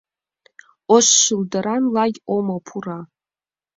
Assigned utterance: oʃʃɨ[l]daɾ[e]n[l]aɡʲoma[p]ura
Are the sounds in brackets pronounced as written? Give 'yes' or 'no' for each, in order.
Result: yes, no, yes, no

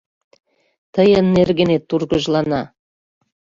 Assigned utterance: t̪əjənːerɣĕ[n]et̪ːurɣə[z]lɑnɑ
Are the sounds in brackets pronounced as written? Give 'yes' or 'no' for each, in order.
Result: yes, no

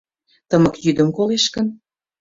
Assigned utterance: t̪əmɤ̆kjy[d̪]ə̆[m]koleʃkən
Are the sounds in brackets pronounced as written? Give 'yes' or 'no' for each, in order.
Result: yes, yes

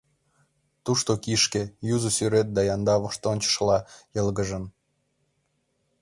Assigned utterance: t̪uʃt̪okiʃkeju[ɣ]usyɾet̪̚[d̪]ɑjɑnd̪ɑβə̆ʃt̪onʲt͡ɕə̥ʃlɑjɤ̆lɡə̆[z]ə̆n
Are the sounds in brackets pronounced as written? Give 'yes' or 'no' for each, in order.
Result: no, yes, no

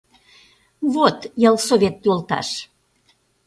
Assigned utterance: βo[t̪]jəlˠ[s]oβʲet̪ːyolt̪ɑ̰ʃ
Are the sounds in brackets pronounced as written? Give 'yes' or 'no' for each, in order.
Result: yes, yes

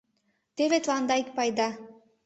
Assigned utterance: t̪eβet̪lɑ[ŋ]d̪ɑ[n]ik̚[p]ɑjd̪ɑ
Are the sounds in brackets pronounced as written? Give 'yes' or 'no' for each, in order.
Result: no, no, yes

